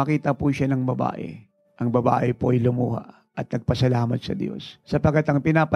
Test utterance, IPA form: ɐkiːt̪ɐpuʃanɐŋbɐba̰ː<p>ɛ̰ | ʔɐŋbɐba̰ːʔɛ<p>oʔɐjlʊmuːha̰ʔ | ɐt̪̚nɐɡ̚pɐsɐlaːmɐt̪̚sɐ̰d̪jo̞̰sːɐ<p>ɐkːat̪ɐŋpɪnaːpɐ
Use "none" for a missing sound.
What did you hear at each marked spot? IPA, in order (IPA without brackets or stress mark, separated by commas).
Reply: ʔ, p, p